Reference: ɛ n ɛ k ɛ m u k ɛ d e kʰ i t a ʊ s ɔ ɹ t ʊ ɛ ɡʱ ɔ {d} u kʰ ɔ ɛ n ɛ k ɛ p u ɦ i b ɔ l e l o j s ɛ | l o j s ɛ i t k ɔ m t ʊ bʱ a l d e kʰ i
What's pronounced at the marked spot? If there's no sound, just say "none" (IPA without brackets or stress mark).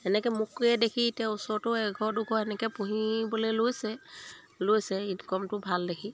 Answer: d